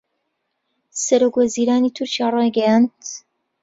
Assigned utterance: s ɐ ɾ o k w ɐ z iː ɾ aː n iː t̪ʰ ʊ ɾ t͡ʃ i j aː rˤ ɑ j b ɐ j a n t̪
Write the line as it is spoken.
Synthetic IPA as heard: s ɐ ɾ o k w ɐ z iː ɾ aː n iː t̪ʰ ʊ ɾ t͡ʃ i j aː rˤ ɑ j ɡ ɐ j a n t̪